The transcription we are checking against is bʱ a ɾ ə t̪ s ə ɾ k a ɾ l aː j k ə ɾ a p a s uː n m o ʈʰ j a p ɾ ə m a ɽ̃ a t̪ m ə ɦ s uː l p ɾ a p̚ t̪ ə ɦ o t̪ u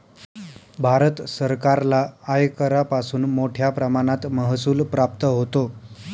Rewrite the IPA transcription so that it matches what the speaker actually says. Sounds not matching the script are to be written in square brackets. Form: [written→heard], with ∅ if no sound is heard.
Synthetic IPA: bʱ a ɾ ə t̪ s ə ɾ k a ɾ l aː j k ə ɾ a p a s uː n m o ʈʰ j a p ɾ ə m a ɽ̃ a t̪ m ə ɦ s uː l p ɾ a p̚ t̪ ə ɦ o t̪ [u→o]